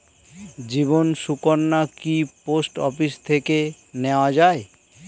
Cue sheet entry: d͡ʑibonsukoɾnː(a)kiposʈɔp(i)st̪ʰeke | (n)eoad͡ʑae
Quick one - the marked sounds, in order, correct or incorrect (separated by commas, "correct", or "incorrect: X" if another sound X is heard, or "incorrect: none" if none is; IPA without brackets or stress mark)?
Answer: correct, correct, correct